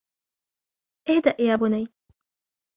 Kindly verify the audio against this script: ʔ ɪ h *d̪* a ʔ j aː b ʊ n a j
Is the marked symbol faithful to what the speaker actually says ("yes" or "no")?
yes